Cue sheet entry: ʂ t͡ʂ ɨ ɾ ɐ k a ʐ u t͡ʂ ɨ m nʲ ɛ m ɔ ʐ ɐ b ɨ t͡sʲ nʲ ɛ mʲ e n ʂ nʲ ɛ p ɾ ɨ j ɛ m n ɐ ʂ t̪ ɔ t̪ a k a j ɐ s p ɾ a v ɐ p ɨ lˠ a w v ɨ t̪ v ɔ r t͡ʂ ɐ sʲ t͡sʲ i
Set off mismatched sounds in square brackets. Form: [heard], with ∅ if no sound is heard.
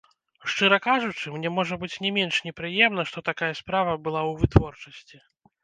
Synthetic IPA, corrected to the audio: ʂ t͡ʂ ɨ ɾ ɐ k a ʐ u t͡ʂ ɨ m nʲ ɛ m ɔ ʐ ɐ b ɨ t͡sʲ nʲ ɛ mʲ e n ʂ nʲ ɛ p ɾ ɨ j ɛ m n ɐ ʂ t̪ ɔ t̪ a k a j ɐ s p ɾ a v ɐ [b] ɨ lˠ a w v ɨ t̪ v ɔ r t͡ʂ ɐ sʲ t͡sʲ i